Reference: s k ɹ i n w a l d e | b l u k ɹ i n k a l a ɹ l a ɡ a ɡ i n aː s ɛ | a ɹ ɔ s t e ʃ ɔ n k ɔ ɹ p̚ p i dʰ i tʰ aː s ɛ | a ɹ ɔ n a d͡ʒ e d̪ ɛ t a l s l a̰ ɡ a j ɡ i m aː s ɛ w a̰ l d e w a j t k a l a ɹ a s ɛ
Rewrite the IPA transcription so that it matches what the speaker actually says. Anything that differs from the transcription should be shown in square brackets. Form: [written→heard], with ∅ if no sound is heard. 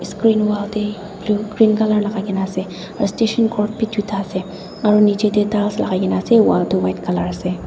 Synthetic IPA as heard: s k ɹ i n w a l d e | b l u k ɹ i n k a l a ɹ l a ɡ a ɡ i n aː s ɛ | a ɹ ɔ s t e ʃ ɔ n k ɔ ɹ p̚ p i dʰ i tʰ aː s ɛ | a ɹ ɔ n [a→i] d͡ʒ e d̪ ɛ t a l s l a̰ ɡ a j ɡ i [m→n] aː s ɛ w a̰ l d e w a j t k a l a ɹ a s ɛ